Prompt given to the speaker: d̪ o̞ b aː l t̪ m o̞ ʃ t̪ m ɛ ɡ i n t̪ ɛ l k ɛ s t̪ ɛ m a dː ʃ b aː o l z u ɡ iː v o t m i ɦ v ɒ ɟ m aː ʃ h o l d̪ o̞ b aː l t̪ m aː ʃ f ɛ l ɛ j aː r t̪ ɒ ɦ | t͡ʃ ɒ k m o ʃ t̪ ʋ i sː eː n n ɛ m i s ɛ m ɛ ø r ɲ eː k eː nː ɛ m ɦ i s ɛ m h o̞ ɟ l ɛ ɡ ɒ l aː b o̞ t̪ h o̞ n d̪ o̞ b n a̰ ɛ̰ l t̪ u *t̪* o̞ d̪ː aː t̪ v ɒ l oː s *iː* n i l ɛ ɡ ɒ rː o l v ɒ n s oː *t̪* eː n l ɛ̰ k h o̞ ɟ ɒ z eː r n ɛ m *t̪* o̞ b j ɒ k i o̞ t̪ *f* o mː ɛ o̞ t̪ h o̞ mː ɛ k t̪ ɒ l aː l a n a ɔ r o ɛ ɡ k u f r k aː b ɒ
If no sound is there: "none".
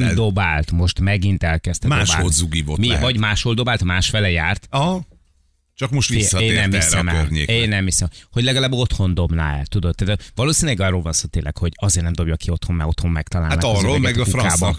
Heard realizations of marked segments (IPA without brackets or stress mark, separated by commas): d̪, i, t̪, d̪, h